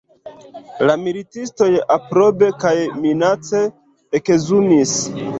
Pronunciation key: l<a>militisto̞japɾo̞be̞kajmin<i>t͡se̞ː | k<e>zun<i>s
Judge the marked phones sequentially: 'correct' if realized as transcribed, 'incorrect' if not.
correct, incorrect: a, correct, correct

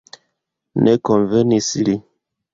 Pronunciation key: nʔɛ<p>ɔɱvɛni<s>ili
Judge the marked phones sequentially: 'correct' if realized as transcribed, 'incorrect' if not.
incorrect: k, correct

